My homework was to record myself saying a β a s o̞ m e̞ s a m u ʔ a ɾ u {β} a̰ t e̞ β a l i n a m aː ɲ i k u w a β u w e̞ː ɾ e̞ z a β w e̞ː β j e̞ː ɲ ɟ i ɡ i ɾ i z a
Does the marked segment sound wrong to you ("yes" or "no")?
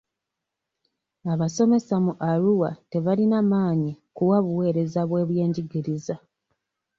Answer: yes